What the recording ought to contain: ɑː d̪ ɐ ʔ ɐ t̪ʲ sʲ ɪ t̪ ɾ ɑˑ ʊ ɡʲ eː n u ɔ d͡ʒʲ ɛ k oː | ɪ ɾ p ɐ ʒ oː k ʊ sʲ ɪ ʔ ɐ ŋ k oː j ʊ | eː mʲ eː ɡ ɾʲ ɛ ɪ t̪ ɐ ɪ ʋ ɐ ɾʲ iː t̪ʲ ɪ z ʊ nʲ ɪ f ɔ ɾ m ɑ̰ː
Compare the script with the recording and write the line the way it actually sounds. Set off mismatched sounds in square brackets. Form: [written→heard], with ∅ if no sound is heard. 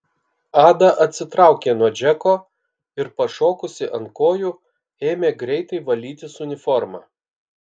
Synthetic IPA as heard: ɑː d̪ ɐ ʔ ɐ t̪ʲ sʲ ɪ t̪ ɾ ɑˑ ʊ [ɡʲ→kʲ] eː n u ɔ d͡ʒʲ ɛ k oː | ɪ ɾ p ɐ [ʒ→ʃ] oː k ʊ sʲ ɪ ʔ ɐ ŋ k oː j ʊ | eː mʲ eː ɡ ɾʲ ɛ ɪ t̪ ɐ ɪ ʋ ɐ [ɾʲ→lʲ] iː t̪ʲ ɪ [z→s] ʊ nʲ ɪ f ɔ ɾ m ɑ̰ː